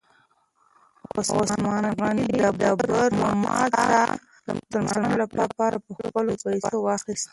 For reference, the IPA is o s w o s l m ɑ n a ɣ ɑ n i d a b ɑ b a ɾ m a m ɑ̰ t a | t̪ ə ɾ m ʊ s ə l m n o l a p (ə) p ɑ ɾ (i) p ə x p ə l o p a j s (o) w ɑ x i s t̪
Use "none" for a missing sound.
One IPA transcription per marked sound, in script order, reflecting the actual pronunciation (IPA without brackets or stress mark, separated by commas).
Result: ɑ, a, o